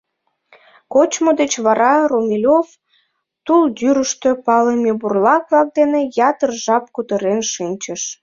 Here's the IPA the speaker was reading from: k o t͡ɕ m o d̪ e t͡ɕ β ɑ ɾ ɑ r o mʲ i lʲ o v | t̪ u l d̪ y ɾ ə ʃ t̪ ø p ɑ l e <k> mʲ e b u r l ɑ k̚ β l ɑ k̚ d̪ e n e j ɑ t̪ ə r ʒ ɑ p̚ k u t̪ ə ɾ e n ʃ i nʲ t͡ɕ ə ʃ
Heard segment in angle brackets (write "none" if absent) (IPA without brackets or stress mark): none